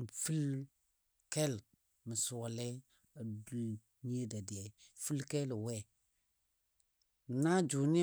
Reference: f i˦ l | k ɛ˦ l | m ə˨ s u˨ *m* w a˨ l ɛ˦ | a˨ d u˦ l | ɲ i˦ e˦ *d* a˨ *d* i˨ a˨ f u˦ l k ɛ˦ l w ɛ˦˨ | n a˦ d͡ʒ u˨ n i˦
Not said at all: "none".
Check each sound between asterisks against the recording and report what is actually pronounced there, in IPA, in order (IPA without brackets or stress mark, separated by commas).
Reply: none, d, d